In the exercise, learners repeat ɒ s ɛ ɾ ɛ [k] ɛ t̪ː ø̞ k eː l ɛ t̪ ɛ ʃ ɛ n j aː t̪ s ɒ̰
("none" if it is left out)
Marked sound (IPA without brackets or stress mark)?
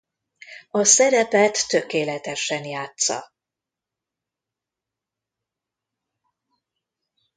p